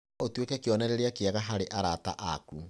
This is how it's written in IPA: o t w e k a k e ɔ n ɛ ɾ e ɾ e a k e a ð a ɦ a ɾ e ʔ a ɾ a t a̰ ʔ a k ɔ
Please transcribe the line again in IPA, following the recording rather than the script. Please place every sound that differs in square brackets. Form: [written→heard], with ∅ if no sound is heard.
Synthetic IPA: o t w e k [a→ɛ] k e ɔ n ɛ ɾ e ɾ e a k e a [ð→ɣ] a ɦ a ɾ e ʔ a ɾ a t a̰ ʔ a k [ɔ→u]

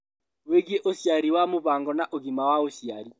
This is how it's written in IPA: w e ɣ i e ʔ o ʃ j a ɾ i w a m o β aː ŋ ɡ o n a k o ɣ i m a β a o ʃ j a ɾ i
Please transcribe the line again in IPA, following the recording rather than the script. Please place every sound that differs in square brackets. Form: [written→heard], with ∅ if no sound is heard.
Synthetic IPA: w e ɣ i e ʔ o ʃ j a ɾ i w a m o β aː ŋ ɡ [o→ɔ] n a [k→ʔ] o ɣ i m a [β→w] a o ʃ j a ɾ i

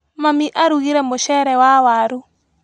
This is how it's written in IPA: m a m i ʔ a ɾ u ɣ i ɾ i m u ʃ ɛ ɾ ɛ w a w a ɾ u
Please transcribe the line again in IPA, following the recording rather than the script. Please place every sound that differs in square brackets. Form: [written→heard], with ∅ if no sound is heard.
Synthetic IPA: m a m i ʔ a ɾ u ɣ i ɾ [i→ɛ] m [u→o] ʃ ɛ ɾ ɛ w a w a ɾ u

